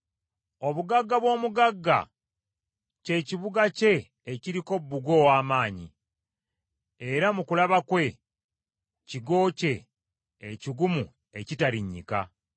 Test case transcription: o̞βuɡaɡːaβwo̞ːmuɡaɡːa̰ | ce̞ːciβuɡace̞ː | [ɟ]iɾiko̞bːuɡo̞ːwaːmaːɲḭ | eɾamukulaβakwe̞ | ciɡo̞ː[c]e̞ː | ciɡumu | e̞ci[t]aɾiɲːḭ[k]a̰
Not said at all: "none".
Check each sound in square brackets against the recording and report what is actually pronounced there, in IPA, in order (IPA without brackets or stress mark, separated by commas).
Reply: c, c, t, k